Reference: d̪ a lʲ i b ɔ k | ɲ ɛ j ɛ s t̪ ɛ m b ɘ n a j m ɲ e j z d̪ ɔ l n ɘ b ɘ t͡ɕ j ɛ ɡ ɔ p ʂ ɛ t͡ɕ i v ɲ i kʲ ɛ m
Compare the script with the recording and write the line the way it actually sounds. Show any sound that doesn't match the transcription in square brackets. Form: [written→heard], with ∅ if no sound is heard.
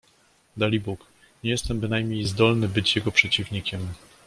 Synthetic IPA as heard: d̪ a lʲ i b [ɔ→u] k | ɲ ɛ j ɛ s t̪ ɛ m b ɘ n a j m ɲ e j z d̪ ɔ l n ɘ b ɘ t͡ɕ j ɛ ɡ ɔ p ʂ ɛ t͡ɕ i v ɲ i kʲ ɛ m